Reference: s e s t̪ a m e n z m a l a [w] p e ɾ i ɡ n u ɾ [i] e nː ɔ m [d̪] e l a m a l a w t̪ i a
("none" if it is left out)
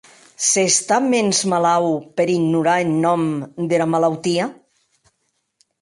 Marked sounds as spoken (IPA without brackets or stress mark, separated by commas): w, a, d̪